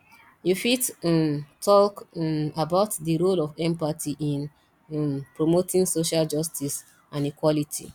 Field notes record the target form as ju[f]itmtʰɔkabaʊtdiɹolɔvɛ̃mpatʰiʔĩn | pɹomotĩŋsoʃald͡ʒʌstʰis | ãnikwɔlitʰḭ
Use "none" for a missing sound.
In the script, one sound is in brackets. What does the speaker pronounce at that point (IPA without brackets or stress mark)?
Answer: f